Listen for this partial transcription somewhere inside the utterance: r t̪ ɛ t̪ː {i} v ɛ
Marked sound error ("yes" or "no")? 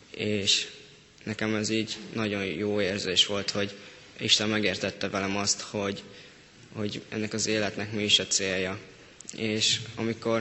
yes